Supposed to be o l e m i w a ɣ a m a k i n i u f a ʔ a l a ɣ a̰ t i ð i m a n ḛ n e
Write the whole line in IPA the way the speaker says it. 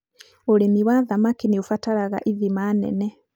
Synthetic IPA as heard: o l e m i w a ð a m a k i n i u f a t a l a ɣ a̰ ʔ i ð i m a n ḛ n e